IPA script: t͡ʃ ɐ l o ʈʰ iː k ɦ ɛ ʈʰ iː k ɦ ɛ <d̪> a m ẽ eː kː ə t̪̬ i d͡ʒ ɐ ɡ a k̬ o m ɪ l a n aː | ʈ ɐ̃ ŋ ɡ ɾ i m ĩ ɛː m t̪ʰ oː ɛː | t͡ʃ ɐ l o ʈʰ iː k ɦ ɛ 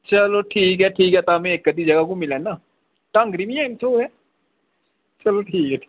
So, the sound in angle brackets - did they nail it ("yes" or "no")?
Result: no